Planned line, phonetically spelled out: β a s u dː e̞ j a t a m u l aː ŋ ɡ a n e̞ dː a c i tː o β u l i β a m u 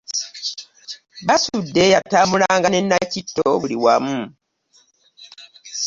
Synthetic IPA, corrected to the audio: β a s u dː e̞ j a t a m u l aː ŋ ɡ a n e̞ nː a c i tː o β u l i w a m u